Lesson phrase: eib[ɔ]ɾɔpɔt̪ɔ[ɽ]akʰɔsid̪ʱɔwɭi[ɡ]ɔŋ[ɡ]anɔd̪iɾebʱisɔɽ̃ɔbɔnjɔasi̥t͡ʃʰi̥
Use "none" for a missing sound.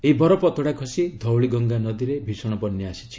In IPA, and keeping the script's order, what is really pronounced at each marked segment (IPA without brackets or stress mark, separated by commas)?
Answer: ɔ, ɽ, ɡ, ɡ